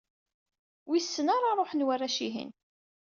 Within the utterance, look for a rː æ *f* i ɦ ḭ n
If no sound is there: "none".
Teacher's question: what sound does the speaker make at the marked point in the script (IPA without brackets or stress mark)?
ʃ